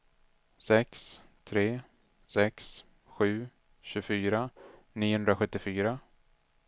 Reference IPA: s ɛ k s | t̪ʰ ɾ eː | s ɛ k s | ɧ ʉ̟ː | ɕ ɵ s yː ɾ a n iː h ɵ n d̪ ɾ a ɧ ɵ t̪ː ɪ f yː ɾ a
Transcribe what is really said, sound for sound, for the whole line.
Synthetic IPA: s ɛ k s | t̪ʰ ɾ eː | s ɛ k s | ɧ ʉ̟ː | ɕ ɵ f yː ɾ a n iː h ɵ n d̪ ɾ a ɧ ɵ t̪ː ɪ f yː ɾ a